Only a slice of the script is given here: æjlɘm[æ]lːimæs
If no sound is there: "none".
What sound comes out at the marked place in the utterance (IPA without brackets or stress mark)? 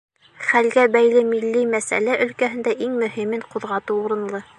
i